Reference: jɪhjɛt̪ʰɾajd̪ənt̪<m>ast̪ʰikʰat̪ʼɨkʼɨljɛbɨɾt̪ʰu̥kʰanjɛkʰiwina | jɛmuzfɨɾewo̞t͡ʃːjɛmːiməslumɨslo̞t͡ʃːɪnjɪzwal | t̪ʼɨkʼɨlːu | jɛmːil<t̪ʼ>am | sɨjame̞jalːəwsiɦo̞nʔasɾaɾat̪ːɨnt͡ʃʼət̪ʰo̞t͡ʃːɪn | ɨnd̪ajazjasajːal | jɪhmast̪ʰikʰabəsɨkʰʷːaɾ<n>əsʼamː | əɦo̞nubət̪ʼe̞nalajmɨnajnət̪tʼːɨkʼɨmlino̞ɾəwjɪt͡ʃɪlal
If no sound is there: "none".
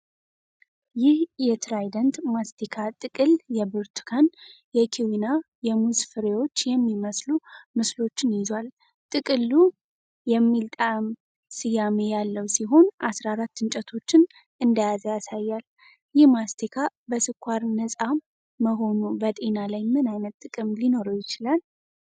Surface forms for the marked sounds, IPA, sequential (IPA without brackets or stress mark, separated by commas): m, t̪ʼ, n